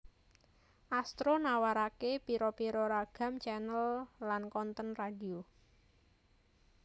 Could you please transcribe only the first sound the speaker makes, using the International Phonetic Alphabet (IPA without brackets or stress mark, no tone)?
ʔ